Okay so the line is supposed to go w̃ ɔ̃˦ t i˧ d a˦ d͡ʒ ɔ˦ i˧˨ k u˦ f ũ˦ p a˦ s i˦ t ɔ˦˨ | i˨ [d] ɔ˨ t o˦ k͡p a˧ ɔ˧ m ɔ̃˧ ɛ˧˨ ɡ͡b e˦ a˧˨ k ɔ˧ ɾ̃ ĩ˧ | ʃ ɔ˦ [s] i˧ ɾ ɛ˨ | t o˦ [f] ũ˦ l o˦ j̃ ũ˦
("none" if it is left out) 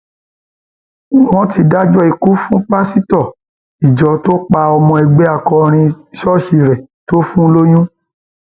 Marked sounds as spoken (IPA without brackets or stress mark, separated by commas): d͡ʒ, ʃ, f